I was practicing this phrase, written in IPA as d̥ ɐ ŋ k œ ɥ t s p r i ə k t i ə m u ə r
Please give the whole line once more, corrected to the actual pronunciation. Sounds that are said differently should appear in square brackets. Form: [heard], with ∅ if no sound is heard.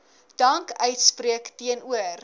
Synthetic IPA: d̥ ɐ ŋ k œ ɥ t s p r i ə k t i ə [n] u ə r